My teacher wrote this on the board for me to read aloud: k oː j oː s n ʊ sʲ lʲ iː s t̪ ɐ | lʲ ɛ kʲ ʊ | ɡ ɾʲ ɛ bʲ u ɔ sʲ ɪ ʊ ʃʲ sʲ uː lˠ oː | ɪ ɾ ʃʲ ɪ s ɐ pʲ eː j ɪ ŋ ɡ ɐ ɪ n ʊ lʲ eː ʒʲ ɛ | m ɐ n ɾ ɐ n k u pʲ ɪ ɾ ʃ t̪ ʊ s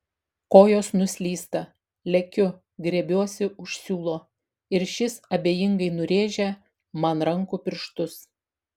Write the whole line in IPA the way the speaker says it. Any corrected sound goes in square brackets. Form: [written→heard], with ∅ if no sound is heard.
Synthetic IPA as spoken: k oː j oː s n ʊ sʲ lʲ iː s t̪ ɐ | lʲ ɛ kʲ ʊ | ɡ ɾʲ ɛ bʲ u ɔ sʲ ɪ ʊ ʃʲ sʲ uː lˠ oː | ɪ ɾ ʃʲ ɪ s ɐ [pʲ→bʲ] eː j ɪ ŋ ɡ ɐ ɪ n ʊ [lʲ→ɾʲ] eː ʒʲ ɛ | m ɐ n ɾ ɐ [n→ŋ] k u pʲ ɪ ɾ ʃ t̪ ʊ s